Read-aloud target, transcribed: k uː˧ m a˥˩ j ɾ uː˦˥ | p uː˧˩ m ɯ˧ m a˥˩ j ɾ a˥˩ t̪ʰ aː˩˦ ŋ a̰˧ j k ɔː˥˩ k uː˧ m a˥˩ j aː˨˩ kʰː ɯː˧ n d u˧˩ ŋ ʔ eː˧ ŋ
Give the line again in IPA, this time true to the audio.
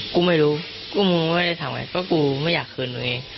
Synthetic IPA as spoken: k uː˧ m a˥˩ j ɾ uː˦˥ | k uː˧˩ m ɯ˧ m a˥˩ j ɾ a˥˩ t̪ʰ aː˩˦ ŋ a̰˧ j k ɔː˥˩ k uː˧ m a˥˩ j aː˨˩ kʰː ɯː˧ n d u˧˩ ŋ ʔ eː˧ ŋ